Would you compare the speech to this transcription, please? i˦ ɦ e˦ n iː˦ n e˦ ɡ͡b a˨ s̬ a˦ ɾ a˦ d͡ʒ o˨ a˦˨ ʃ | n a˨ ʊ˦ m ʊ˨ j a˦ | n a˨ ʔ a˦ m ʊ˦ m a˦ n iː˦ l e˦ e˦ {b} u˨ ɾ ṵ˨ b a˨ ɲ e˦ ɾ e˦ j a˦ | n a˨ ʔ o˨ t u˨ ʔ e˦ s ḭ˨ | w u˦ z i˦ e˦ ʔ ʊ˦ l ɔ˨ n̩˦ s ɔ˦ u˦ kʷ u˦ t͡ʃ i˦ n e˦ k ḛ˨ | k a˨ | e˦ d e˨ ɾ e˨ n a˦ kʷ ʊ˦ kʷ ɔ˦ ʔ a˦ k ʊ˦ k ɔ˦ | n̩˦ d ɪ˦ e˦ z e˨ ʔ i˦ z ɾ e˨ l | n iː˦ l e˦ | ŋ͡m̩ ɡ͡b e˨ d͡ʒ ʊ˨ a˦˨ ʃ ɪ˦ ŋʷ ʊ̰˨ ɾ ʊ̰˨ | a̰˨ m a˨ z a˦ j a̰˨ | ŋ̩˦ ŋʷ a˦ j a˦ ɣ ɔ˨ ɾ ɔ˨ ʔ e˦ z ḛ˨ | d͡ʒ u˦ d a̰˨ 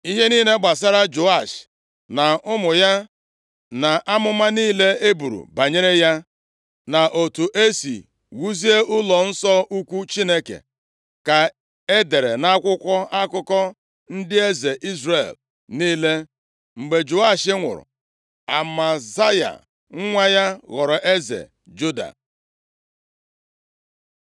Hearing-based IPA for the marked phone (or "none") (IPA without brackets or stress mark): b